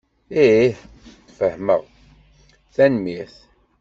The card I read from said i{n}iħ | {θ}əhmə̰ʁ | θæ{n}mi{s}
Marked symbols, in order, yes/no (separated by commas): no, no, yes, no